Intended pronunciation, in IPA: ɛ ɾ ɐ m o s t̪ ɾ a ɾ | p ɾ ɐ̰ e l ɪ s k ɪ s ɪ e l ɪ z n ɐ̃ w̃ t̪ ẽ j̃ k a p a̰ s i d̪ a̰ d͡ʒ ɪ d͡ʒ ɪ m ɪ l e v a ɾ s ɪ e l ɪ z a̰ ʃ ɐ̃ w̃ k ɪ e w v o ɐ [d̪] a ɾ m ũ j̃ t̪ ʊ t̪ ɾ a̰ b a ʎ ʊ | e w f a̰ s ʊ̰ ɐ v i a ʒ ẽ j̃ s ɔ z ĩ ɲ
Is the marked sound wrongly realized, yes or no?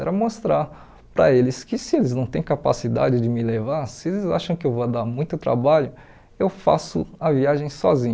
no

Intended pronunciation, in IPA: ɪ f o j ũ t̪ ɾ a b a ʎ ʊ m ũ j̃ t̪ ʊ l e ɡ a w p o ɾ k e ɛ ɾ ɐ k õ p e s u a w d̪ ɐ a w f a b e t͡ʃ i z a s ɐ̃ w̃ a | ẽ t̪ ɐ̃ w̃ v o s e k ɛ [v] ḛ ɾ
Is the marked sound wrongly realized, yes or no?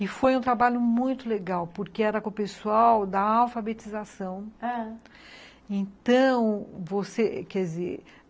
yes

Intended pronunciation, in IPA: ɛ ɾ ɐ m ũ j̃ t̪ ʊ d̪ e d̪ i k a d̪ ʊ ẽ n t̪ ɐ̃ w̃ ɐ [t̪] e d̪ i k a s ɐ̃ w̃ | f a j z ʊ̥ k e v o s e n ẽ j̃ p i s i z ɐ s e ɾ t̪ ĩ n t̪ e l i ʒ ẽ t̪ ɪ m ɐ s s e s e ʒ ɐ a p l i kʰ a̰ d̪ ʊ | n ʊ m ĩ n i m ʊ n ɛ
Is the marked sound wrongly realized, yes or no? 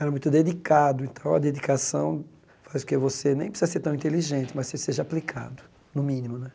yes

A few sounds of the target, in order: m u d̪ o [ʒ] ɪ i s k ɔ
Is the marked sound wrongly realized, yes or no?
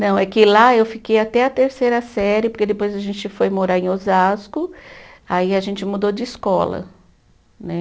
yes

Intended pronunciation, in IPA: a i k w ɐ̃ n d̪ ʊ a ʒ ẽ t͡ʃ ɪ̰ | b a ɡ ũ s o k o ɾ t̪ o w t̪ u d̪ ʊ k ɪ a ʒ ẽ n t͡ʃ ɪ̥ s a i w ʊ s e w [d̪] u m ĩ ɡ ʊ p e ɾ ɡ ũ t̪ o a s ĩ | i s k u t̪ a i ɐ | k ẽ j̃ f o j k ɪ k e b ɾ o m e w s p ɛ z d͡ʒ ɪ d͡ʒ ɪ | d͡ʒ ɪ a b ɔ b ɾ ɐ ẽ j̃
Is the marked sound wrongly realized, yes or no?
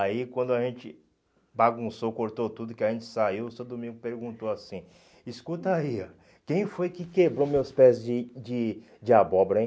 no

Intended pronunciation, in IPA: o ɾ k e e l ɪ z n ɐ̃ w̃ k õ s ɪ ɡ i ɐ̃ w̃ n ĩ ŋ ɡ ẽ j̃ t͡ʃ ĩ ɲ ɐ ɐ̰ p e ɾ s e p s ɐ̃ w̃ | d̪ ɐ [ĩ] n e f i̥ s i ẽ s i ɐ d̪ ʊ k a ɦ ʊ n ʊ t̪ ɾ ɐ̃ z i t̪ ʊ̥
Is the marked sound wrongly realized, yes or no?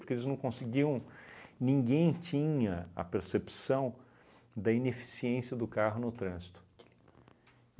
yes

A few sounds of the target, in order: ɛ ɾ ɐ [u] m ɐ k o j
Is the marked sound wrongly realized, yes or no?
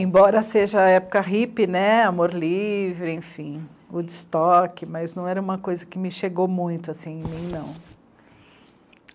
yes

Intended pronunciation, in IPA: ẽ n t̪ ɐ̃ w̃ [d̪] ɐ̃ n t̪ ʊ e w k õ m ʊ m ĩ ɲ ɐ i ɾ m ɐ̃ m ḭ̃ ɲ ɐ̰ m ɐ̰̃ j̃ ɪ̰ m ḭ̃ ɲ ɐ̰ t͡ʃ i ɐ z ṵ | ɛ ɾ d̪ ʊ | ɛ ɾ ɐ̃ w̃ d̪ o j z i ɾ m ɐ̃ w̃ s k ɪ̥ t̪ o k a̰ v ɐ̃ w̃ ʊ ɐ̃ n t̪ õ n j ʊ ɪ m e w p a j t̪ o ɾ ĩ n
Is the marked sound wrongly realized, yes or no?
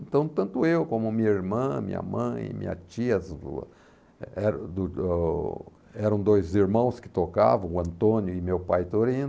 yes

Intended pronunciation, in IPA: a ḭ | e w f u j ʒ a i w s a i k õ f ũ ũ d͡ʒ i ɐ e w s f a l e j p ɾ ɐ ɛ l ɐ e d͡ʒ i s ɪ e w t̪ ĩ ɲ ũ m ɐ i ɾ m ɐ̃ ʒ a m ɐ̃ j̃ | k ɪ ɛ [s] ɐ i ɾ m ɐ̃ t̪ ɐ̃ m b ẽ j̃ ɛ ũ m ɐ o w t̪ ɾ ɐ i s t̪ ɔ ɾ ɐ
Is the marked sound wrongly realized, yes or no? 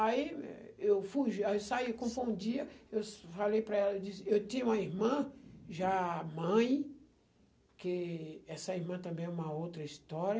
no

